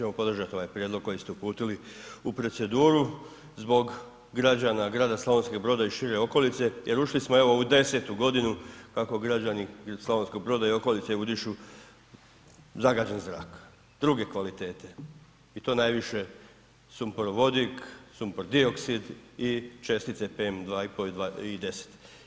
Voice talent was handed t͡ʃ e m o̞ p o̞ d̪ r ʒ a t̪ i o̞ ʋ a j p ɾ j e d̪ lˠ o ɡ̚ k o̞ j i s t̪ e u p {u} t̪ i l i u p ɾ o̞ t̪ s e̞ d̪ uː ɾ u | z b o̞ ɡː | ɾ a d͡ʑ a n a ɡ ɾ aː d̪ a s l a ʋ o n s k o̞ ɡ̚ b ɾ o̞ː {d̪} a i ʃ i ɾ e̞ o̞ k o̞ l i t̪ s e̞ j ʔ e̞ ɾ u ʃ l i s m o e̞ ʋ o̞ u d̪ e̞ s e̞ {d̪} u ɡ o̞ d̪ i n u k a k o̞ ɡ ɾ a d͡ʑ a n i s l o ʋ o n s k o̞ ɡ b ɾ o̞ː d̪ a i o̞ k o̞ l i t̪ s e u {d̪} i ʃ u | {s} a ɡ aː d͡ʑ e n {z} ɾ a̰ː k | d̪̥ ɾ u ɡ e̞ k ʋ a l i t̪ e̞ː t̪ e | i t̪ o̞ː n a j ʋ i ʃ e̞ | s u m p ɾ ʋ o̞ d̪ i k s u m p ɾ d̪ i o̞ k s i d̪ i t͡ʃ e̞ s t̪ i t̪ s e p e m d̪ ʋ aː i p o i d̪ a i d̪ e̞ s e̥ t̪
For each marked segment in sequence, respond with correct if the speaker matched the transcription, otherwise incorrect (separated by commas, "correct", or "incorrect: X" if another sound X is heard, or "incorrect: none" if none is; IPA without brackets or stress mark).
incorrect: uː, correct, incorrect: t̪, correct, incorrect: z, correct